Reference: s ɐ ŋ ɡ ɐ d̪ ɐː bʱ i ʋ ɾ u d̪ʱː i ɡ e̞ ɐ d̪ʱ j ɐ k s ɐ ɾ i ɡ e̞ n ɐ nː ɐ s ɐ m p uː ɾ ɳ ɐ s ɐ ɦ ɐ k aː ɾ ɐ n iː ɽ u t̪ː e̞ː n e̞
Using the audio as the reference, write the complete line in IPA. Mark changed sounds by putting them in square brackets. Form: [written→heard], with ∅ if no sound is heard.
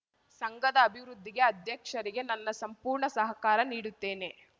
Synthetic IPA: s ɐ ŋ ɡ ɐ d̪ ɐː bʱ i ʋ ɾ u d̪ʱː i ɡ e̞ ɐ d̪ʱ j ɐ k [s→ʂ] ɐ ɾ i ɡ e̞ n ɐ nː ɐ s ɐ m p uː ɾ ɳ ɐ s ɐ ɦ ɐ k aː ɾ ɐ n iː ɽ u t̪ː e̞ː n e̞